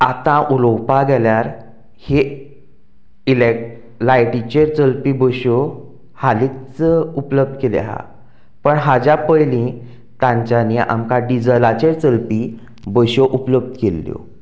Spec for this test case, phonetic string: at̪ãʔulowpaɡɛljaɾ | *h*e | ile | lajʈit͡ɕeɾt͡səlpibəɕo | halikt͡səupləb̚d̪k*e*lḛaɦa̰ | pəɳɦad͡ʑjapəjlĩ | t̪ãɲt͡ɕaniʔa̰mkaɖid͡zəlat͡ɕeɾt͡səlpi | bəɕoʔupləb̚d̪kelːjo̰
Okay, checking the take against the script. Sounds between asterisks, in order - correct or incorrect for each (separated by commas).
correct, correct